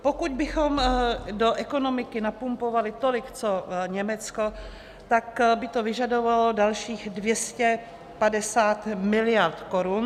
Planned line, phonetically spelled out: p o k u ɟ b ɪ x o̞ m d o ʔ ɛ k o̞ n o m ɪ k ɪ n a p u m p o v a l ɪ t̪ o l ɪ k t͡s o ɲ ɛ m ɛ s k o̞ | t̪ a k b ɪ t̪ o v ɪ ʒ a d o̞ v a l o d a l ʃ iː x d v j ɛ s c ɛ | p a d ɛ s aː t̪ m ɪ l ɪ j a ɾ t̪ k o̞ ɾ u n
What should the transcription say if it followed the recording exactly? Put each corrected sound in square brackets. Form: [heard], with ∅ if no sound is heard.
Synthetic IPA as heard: p o k u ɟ b ɪ x o̞ m d o ʔ ɛ k o̞ n o m ɪ k ɪ n a p u m p o v a l ɪ t̪ o l ɪ k t͡s o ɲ ɛ m ɛ [t͡s] k o̞ | t̪ a k b ɪ t̪ o v ɪ ʒ a d o̞ v a l o d a l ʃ iː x d v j ɛ s c ɛ | p a d ɛ s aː t̪ m ɪ l ɪ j a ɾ t̪ k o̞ ɾ u n